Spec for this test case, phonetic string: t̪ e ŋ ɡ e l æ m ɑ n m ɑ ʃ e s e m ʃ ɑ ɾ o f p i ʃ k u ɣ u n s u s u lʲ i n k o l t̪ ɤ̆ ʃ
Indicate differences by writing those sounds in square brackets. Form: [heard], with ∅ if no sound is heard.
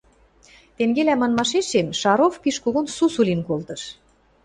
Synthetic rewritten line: t̪ e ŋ ɡ e l æ m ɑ n m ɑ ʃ e [ʃ] e m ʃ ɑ ɾ o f p i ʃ k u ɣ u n s u s u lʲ i n k o l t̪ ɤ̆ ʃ